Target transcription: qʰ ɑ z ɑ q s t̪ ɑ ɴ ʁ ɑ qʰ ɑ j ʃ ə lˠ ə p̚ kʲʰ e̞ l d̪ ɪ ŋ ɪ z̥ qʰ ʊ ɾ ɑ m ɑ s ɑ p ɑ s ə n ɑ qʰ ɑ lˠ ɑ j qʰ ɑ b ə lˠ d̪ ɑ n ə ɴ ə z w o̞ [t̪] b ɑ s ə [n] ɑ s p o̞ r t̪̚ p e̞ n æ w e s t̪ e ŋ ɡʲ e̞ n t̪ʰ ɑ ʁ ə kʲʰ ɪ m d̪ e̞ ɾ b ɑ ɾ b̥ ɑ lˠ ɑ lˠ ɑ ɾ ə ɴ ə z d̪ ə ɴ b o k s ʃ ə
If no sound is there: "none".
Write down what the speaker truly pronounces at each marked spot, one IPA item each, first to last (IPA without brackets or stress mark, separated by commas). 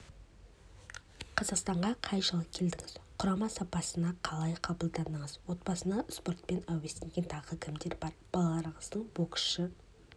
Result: t̪, n